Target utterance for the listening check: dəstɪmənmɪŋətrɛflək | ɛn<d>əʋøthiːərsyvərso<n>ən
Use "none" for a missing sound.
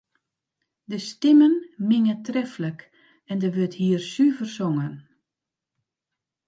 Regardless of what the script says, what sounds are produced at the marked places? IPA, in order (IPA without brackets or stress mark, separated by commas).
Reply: d, ŋ